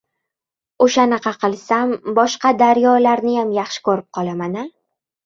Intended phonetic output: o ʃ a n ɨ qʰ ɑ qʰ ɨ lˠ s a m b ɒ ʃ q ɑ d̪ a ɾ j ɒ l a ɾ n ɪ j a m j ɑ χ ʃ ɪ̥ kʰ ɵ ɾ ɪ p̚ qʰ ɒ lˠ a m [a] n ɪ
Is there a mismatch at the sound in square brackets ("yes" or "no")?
no